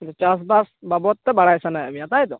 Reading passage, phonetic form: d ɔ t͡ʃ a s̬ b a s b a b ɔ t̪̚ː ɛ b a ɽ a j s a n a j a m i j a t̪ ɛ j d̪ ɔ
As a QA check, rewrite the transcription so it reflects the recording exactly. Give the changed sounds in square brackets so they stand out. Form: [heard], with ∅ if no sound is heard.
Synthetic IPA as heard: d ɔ t͡ʃ a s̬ b a s b a b ɔ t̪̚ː ɛ b a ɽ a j s a n a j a m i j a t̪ [a] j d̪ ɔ